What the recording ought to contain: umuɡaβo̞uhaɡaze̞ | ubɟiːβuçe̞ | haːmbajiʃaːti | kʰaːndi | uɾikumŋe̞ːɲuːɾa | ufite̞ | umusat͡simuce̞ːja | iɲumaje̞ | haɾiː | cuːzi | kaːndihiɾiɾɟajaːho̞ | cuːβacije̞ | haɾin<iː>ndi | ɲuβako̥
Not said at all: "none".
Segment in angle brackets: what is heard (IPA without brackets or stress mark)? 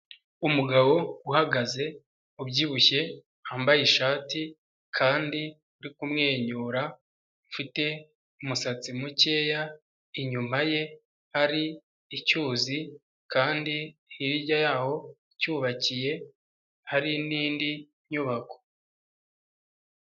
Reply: iː